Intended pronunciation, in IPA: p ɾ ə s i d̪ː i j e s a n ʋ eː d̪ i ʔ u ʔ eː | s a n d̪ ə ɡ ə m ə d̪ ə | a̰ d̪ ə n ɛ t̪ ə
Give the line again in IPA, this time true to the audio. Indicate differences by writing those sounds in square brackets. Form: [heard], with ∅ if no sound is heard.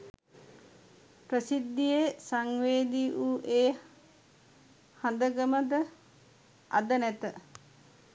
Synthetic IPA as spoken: p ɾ ə s i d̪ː i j e s a [ŋ] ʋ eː d̪ i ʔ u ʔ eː | [h] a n d̪ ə ɡ ə m ə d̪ ə | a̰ d̪ ə n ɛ t̪ ə